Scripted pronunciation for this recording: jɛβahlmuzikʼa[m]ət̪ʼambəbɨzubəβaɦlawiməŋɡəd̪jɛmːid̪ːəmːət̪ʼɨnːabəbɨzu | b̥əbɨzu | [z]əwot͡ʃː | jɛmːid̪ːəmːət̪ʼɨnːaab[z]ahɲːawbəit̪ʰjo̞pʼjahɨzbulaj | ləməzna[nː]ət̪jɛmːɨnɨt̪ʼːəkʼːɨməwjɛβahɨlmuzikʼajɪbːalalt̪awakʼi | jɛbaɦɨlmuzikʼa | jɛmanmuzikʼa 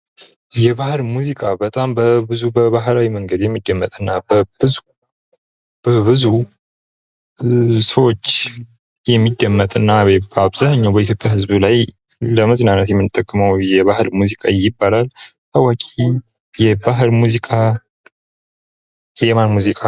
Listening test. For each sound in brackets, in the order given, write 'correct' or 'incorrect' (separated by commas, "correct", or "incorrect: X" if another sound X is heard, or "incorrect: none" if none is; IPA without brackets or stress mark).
incorrect: b, incorrect: s, correct, incorrect: n